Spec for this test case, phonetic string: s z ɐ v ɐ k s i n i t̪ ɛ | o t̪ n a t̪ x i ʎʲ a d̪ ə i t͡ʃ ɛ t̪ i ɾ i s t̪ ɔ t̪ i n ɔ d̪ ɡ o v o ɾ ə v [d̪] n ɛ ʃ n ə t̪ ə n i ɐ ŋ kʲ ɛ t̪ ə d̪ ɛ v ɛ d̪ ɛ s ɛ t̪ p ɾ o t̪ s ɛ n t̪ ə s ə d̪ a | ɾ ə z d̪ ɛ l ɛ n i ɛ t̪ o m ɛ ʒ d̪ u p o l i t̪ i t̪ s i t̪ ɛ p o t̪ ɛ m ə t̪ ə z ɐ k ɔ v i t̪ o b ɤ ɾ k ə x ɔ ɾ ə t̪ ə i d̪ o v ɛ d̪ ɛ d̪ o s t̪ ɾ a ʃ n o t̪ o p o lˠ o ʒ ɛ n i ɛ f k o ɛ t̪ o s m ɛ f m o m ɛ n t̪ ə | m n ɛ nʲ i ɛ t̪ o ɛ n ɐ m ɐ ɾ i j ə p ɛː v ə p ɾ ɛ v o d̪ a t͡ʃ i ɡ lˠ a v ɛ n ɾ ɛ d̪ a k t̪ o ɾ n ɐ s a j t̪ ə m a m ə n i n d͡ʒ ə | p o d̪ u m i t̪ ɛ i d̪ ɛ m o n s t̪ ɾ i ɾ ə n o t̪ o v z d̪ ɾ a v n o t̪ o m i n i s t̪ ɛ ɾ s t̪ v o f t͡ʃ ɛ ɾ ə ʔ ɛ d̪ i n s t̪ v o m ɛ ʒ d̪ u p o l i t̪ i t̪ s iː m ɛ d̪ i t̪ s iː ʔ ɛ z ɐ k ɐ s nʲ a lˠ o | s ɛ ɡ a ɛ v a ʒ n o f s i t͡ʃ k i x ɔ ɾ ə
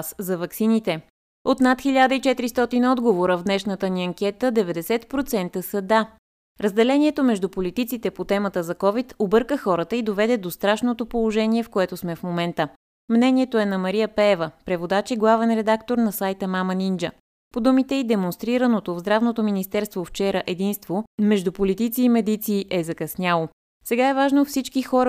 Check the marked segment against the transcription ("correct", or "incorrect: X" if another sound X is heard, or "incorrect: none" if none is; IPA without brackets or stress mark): correct